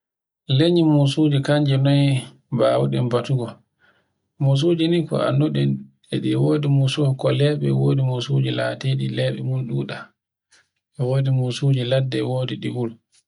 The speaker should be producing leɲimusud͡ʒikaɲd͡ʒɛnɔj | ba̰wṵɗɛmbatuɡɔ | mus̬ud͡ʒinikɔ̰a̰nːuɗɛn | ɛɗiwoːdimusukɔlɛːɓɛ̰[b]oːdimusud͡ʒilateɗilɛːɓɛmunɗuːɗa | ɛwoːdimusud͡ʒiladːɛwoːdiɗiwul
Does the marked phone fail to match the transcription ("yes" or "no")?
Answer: yes